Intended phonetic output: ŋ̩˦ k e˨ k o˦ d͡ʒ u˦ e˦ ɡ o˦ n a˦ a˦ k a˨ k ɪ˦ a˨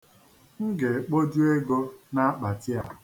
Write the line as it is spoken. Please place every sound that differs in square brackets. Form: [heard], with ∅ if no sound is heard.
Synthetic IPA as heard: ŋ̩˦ [ɡ] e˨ [k͡p] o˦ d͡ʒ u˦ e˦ ɡ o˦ n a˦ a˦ [k͡p] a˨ [t] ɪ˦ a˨